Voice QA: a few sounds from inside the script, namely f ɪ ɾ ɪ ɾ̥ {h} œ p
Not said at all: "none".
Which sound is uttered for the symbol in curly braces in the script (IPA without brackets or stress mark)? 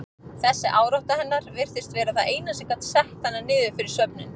s